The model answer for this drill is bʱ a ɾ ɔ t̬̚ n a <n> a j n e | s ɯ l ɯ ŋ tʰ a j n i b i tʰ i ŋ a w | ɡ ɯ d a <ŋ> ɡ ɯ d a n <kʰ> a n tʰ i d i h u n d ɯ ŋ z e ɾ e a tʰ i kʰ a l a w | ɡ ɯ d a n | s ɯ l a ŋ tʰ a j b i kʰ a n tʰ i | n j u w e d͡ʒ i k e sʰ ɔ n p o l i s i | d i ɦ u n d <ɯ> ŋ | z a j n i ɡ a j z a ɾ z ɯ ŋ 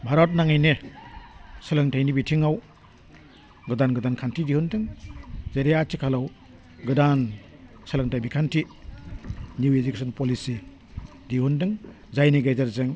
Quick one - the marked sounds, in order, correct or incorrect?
incorrect: ŋ, incorrect: n, correct, correct

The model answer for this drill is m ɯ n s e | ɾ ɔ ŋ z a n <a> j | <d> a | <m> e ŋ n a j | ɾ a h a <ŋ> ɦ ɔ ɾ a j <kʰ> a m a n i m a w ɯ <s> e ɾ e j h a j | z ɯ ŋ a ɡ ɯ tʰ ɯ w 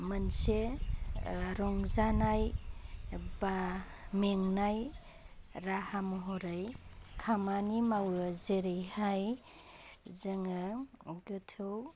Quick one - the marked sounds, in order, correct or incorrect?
correct, incorrect: b, correct, incorrect: m, correct, incorrect: z

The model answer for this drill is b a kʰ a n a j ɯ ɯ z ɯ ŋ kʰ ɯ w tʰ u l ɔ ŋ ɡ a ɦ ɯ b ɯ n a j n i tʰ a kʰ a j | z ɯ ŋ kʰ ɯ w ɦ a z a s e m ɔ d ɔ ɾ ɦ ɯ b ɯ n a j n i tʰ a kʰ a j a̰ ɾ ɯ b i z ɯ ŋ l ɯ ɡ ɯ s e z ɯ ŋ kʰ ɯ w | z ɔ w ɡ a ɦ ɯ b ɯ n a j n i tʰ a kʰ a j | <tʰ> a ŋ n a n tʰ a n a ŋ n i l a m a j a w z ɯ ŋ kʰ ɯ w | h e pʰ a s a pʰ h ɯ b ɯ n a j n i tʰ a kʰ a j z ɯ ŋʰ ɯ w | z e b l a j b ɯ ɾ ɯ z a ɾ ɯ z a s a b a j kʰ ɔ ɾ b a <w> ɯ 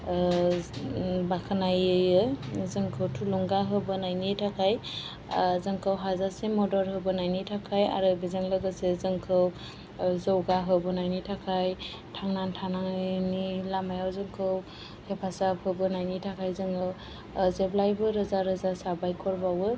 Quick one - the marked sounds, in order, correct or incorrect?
correct, correct

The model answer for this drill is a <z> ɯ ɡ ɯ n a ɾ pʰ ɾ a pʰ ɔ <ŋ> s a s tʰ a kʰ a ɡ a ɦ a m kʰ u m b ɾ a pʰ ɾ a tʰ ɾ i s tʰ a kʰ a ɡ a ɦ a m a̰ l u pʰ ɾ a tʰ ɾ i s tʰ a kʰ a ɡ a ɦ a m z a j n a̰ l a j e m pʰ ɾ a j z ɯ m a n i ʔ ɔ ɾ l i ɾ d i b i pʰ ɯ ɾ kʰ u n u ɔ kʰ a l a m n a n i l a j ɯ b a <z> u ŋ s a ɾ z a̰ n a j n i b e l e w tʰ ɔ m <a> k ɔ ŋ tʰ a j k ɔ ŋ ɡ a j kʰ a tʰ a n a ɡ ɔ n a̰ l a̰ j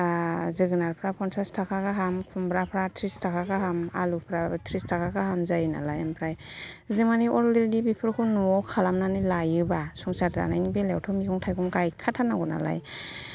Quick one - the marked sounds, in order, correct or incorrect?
correct, incorrect: n, incorrect: s, incorrect: i

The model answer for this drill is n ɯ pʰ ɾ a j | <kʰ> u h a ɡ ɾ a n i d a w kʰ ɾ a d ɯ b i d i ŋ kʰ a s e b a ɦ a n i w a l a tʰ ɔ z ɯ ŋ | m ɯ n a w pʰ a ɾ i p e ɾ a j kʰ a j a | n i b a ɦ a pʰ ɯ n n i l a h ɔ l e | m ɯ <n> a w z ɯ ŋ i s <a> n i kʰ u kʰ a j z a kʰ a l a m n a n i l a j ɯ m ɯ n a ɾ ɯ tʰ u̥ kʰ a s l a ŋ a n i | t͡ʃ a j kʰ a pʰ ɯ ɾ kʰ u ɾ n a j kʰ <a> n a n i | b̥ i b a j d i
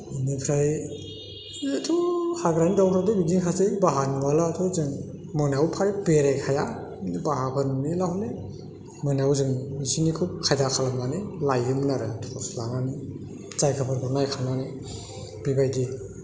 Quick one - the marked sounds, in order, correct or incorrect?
incorrect: tʰ, correct, incorrect: i, correct

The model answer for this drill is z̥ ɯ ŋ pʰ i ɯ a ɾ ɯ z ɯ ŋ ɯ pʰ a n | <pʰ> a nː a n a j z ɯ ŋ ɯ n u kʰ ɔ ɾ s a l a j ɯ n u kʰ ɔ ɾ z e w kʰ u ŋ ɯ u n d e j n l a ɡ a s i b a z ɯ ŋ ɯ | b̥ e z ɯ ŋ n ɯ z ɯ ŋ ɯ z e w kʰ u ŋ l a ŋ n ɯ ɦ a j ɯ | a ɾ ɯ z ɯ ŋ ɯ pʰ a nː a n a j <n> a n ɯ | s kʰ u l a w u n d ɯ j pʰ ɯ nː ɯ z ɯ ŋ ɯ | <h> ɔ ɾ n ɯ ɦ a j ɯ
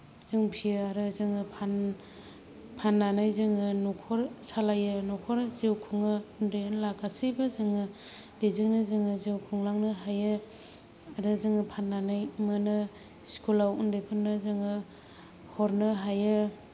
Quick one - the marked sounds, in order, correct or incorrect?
correct, incorrect: m, correct

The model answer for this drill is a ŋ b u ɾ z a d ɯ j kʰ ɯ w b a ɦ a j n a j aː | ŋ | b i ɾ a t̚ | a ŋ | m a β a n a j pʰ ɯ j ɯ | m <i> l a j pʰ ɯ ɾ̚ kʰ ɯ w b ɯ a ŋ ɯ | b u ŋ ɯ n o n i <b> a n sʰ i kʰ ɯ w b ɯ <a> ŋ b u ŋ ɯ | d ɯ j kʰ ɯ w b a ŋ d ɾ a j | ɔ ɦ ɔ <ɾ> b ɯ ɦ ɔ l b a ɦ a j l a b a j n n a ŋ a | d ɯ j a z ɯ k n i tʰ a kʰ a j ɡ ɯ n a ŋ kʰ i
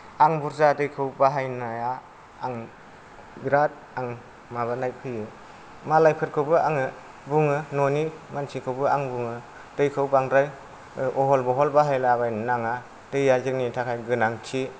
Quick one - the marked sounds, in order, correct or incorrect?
incorrect: a, incorrect: m, correct, incorrect: l

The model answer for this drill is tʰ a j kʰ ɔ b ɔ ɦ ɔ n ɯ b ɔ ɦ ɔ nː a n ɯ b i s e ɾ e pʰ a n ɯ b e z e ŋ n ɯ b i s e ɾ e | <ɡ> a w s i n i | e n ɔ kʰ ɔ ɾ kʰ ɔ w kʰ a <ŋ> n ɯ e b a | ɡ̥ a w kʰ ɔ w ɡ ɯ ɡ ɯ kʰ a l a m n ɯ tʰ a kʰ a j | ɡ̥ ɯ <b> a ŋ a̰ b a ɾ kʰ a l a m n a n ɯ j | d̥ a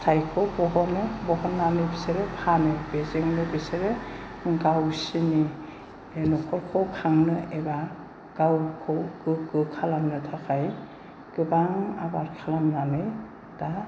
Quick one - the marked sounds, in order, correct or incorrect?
correct, correct, correct

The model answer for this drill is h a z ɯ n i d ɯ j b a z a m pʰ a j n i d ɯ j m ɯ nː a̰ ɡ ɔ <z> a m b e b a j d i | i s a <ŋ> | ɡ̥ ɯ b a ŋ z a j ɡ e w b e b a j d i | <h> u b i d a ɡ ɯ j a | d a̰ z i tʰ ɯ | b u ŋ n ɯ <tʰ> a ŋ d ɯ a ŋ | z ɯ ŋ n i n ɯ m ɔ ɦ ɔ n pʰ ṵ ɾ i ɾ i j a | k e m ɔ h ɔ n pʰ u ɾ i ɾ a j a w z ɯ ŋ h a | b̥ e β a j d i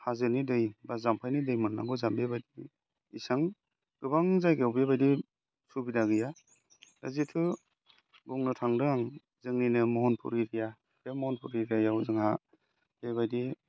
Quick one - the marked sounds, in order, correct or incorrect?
correct, correct, incorrect: s, correct

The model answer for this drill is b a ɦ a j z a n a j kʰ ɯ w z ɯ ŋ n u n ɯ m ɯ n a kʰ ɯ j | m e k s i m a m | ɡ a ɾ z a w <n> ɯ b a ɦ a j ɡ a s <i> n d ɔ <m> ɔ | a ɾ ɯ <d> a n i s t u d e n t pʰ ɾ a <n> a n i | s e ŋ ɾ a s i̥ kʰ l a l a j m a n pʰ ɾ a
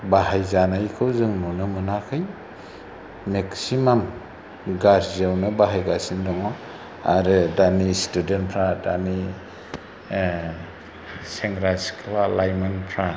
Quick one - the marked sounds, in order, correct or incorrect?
correct, correct, incorrect: ŋ, correct, incorrect: d

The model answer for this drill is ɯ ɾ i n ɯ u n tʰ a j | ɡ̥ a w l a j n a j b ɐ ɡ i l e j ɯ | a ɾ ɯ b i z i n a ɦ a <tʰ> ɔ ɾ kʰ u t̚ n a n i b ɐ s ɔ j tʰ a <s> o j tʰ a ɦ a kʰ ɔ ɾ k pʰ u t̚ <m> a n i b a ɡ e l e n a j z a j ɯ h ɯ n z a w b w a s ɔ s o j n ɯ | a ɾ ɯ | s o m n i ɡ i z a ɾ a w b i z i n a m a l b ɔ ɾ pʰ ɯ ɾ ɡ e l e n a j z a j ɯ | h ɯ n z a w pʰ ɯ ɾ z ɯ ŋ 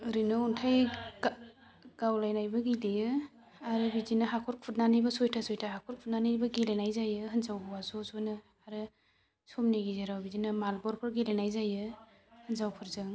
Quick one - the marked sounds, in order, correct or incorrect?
incorrect: kʰ, correct, incorrect: n

